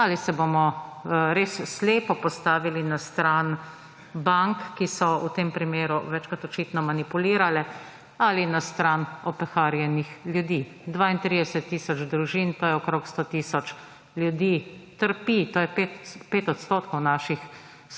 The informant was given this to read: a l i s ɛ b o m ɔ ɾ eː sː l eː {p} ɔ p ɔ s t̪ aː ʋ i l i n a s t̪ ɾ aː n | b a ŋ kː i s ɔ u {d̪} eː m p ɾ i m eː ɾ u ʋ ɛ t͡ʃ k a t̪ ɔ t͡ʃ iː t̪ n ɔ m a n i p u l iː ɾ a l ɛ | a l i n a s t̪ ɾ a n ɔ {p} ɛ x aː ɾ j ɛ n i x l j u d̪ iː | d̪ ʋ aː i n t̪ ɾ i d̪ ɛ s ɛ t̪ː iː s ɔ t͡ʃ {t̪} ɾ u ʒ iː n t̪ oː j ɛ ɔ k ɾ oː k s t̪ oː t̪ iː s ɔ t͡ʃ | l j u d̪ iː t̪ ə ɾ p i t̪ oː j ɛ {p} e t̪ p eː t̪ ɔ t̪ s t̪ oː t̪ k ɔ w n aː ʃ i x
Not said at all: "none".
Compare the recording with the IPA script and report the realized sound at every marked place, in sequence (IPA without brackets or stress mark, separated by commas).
p, t̪, p, d̪, p